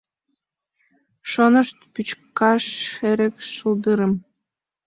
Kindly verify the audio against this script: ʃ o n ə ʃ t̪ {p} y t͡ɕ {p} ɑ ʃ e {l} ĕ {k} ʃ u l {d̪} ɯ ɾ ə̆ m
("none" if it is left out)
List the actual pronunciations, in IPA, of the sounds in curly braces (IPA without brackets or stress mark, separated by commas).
p, k, ɾ, k, d̪